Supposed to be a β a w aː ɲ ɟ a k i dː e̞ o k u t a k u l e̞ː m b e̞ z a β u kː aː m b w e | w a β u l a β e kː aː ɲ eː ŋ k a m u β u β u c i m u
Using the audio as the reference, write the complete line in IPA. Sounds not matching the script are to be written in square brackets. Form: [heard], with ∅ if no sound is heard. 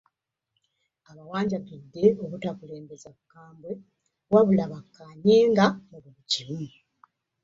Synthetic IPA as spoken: a β a w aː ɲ ɟ a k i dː e̞ o k u t a k u l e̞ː m b e̞ z a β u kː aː m b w e | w a β u l a β [a] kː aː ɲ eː ŋ [ɡ] a m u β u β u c i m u